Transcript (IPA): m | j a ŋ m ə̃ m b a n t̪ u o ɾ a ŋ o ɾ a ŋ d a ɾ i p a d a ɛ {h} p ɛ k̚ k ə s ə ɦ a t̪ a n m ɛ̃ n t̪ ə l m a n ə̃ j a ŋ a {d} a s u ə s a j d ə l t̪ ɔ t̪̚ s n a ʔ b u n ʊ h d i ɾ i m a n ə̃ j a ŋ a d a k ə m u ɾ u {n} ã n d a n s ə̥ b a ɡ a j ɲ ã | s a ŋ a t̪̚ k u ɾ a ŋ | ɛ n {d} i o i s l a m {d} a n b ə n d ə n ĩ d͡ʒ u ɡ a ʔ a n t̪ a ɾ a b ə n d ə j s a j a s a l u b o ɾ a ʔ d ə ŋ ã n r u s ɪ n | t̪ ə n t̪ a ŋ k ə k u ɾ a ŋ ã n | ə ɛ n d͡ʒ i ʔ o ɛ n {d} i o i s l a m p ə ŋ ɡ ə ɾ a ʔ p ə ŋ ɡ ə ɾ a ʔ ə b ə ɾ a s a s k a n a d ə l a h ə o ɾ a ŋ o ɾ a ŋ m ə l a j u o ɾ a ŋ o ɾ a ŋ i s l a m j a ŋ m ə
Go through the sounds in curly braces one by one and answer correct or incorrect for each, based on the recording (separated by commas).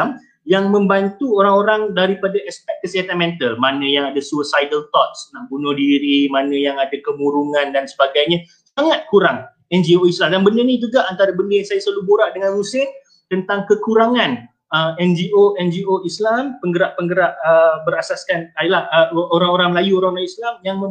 incorrect, correct, incorrect, incorrect, correct, incorrect